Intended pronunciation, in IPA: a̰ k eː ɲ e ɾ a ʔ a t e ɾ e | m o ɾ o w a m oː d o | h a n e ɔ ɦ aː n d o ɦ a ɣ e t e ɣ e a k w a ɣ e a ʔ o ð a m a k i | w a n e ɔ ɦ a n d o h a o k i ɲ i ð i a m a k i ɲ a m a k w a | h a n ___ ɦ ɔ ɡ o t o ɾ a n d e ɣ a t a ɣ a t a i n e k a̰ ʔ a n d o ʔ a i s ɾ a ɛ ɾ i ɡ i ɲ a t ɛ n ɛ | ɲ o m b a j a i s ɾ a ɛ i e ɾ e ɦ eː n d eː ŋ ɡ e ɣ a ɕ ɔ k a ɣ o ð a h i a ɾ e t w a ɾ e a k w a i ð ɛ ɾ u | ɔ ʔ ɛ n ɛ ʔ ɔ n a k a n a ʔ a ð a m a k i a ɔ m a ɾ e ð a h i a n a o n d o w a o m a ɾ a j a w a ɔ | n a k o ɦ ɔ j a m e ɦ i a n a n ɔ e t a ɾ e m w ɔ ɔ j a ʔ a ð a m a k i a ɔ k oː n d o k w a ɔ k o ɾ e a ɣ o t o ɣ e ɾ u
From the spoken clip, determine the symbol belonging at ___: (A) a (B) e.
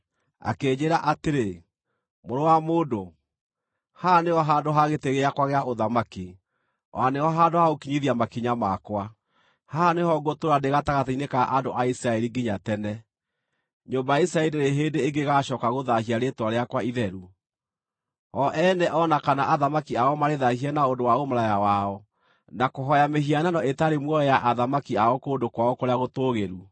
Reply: B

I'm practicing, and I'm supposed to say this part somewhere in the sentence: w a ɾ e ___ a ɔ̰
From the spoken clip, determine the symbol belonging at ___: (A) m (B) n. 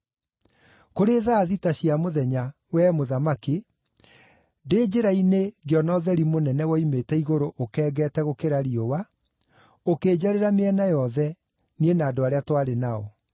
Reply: B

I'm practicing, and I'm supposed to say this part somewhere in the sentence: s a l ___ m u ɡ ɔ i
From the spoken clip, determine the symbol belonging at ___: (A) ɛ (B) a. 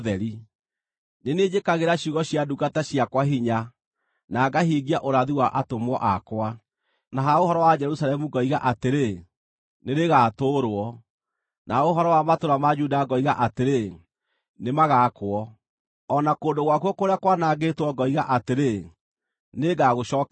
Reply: A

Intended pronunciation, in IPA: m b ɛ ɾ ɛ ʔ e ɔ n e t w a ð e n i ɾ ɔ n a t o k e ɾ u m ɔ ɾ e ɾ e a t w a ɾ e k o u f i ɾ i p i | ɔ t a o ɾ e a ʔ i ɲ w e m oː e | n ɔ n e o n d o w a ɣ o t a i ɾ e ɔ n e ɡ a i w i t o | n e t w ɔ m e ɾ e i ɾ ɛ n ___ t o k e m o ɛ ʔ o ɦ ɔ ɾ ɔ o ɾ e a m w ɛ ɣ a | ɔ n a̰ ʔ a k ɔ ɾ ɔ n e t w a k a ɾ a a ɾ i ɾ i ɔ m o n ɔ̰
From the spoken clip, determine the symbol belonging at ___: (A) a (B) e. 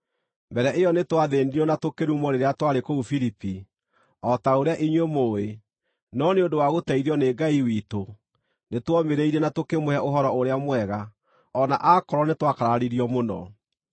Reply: A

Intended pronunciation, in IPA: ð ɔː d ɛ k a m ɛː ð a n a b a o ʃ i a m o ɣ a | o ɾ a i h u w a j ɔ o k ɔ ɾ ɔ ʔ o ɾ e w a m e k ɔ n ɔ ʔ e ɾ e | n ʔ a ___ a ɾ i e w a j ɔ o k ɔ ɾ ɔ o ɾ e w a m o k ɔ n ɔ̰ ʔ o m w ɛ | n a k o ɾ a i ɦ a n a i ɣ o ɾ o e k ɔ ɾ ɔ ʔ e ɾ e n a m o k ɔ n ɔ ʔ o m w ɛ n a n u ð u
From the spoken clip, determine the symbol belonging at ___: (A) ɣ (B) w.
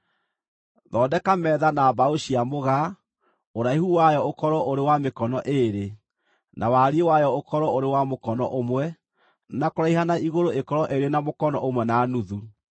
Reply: B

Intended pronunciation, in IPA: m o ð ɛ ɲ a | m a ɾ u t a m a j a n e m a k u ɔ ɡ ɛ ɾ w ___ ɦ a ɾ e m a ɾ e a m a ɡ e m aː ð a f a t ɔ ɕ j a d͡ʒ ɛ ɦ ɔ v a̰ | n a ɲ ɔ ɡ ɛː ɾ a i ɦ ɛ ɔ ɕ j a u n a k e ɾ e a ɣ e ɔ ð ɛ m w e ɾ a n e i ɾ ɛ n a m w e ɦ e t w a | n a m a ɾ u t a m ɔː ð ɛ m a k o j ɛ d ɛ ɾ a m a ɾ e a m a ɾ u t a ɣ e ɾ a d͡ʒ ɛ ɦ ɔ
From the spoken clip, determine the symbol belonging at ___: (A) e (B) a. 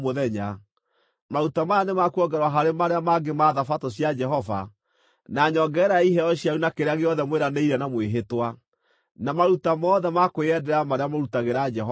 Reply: B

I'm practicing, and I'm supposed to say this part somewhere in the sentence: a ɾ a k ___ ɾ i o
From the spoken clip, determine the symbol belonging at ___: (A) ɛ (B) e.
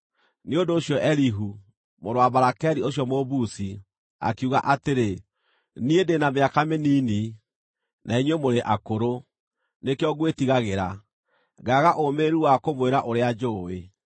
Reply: A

